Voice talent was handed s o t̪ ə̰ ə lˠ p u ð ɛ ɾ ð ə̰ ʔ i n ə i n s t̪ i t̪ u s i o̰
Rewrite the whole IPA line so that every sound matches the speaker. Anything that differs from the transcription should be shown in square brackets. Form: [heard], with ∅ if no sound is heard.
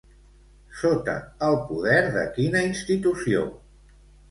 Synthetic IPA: s o t̪ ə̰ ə lˠ p u ð ɛ ɾ ð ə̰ [k] i n ə i n s t̪ i t̪ u s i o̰